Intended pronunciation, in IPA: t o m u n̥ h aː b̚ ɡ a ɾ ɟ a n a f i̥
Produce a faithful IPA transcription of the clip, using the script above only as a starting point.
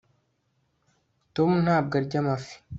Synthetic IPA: t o m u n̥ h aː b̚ ɡ a ɾ ɟ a m a f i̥